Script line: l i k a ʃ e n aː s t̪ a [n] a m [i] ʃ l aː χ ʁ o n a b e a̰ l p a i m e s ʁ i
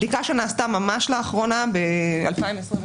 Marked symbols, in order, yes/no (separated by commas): no, no